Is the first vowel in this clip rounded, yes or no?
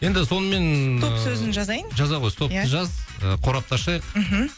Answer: no